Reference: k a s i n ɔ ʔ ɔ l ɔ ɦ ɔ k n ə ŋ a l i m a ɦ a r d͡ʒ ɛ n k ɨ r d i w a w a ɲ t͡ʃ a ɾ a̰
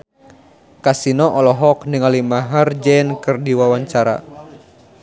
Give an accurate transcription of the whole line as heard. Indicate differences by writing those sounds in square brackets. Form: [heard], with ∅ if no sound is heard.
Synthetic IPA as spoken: k a s i n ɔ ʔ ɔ l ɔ ɦ ɔ k n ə ŋ a l i m a ɦ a r d͡ʒ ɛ n k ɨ r d i w a w a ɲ t͡ʃ a ɾ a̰